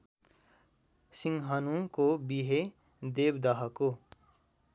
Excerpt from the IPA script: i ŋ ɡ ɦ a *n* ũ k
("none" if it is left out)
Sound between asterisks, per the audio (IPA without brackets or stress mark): n